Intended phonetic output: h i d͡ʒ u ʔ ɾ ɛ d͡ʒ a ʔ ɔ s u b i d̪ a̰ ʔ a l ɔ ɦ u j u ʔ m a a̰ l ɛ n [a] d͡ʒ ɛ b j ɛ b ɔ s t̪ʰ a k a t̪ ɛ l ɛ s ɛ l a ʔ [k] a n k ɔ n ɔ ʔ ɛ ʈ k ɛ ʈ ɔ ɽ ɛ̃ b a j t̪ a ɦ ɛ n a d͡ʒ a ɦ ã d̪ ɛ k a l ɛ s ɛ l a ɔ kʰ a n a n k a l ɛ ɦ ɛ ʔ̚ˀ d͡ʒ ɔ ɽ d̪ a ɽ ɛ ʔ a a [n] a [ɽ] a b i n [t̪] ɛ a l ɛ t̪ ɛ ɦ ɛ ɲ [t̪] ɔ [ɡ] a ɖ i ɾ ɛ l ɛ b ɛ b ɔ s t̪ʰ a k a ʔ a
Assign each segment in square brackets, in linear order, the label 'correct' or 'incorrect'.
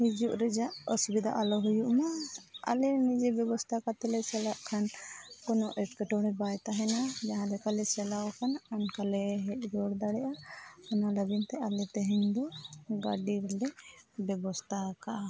incorrect: i, incorrect: kʰ, correct, incorrect: l, correct, incorrect: d̪, correct

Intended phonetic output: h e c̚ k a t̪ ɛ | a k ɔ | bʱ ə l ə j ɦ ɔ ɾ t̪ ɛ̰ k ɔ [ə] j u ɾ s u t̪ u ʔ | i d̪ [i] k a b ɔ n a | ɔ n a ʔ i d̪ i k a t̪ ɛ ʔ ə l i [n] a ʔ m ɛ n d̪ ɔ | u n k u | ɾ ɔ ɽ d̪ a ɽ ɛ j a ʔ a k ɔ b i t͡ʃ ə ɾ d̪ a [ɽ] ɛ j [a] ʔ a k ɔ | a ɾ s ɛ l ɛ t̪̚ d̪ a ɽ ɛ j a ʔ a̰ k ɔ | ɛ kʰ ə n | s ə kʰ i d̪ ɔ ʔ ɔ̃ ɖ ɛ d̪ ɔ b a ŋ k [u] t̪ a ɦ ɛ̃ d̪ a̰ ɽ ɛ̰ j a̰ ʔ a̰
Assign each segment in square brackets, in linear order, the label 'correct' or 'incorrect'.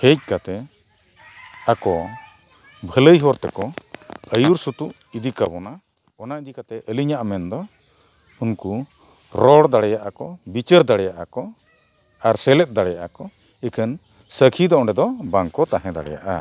correct, correct, incorrect: ɲ, correct, correct, incorrect: ɔ

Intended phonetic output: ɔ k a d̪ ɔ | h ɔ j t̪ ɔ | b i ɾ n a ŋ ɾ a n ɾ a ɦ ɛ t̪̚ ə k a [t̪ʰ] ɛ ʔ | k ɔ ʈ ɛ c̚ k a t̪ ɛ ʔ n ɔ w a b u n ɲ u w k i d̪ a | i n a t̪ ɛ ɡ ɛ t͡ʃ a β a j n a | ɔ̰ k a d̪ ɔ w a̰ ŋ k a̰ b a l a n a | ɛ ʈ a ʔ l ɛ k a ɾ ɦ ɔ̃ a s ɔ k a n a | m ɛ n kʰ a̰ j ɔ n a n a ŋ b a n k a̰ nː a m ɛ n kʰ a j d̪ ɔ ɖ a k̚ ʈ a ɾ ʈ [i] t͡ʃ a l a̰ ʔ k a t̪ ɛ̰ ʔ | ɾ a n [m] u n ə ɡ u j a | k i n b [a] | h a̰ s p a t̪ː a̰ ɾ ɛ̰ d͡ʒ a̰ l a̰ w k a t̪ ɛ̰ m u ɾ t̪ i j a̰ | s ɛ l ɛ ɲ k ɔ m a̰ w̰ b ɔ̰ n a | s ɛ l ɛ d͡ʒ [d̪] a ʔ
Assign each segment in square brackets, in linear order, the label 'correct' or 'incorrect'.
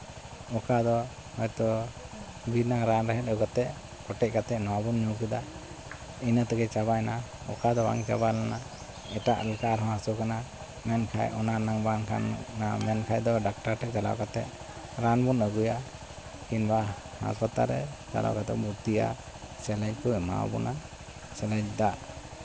incorrect: t̪, incorrect: ɛ, incorrect: b, correct, correct

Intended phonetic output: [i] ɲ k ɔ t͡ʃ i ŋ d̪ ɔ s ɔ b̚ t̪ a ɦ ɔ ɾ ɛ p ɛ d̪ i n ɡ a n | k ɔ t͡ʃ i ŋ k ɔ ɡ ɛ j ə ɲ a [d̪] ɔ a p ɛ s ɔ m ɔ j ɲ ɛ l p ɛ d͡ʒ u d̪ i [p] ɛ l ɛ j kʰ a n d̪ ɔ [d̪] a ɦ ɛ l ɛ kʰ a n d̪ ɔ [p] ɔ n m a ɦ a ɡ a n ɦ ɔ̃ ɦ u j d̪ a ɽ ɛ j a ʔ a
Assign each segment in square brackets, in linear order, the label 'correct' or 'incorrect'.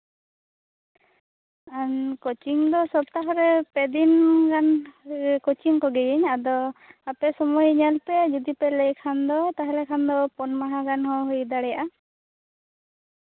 incorrect: a, correct, correct, incorrect: t̪, correct

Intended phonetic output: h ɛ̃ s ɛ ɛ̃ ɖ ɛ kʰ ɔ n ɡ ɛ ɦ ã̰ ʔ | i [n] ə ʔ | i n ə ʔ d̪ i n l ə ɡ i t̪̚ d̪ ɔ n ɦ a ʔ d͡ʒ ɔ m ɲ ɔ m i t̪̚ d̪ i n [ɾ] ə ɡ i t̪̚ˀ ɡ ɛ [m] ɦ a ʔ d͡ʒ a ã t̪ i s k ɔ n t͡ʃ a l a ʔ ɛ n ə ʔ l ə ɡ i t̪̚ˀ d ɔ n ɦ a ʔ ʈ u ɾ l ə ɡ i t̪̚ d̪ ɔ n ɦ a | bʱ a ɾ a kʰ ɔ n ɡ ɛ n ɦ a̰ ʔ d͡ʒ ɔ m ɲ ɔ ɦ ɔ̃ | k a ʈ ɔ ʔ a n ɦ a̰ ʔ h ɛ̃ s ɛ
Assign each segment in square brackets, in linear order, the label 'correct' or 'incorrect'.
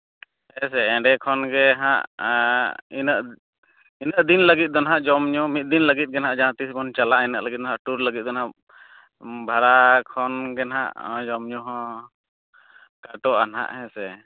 correct, incorrect: l, incorrect: n

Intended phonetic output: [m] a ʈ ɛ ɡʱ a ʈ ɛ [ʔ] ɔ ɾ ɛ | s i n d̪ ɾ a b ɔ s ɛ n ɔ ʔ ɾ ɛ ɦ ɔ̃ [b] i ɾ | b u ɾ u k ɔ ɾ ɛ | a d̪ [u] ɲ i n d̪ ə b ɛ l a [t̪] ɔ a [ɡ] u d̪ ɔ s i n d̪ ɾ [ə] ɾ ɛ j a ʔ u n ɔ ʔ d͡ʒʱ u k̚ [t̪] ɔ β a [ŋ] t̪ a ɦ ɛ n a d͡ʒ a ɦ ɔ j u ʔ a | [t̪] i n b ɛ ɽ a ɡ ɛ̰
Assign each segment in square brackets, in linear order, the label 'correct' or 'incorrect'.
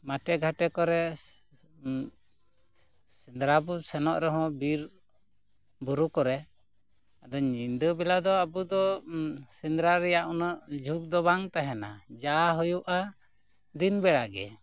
correct, incorrect: k, correct, incorrect: ɔ, incorrect: d̪, incorrect: b, incorrect: a, incorrect: d̪, correct, incorrect: d̪

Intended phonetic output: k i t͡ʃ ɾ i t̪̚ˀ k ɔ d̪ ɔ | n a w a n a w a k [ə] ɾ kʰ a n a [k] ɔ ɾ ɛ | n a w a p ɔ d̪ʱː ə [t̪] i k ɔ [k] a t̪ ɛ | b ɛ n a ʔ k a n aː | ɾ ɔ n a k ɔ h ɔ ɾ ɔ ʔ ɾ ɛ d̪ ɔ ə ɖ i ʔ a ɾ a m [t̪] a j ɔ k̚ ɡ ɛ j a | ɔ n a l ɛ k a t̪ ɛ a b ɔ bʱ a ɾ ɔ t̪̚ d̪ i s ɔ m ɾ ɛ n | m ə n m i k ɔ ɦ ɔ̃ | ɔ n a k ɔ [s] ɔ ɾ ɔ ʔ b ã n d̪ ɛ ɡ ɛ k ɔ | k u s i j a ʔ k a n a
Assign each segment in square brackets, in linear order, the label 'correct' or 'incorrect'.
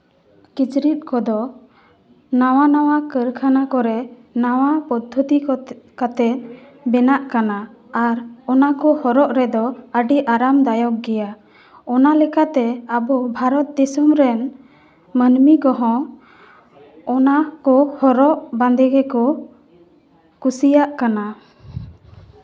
correct, correct, correct, correct, incorrect: d̪, incorrect: h

